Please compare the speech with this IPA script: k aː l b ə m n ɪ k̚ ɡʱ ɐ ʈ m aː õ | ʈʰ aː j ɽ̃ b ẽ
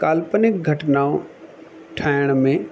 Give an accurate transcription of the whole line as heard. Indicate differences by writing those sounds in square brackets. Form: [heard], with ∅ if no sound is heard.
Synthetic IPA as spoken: k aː l [p] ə [∅] n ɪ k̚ ɡʱ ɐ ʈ [n] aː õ | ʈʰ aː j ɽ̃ [m] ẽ